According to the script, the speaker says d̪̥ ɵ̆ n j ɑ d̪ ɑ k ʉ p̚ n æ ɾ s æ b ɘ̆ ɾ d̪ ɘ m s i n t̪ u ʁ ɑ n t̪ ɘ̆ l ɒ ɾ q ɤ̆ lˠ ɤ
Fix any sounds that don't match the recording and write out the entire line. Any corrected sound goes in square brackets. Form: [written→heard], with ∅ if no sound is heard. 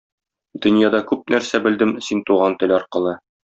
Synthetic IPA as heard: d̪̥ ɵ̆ n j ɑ d̪ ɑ k ʉ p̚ n æ ɾ s æ b ɘ̆ [ɾ→l] d̪ ɘ m s i n t̪ u ʁ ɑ n t̪ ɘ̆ l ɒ ɾ q ɤ̆ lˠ ɤ